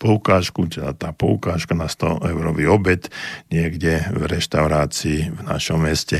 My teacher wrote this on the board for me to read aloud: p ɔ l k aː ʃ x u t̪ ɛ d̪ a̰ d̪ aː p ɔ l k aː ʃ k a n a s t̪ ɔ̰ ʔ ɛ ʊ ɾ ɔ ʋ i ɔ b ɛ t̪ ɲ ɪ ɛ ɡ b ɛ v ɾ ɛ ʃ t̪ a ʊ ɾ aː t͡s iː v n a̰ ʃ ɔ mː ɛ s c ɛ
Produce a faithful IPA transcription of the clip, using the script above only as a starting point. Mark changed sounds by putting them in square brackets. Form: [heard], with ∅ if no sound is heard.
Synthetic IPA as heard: p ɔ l k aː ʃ [k] u t̪ ɛ d̪ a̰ [t̪] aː p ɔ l k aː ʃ k a n a s t̪ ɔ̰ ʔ ɛ ʊ ɾ ɔ ʋ i ɔ b ɛ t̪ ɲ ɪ ɛ ɡ [ɟ] ɛ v ɾ ɛ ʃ t̪ a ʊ ɾ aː t͡s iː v n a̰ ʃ ɔ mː ɛ s c ɛ